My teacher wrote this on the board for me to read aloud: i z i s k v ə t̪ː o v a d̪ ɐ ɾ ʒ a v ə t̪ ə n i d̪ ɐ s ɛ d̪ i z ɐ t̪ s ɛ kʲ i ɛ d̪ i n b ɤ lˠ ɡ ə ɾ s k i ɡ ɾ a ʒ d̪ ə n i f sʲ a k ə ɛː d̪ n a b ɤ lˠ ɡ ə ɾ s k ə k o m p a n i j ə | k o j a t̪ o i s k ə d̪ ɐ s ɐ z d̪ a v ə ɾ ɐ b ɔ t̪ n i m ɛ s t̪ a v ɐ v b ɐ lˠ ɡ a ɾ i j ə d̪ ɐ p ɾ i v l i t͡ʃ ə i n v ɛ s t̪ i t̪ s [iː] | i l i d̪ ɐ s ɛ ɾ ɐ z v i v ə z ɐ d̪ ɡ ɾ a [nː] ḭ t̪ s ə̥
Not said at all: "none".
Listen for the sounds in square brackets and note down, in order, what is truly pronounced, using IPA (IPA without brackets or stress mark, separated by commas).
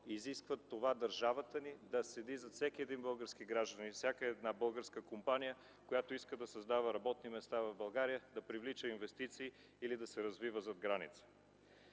iː, n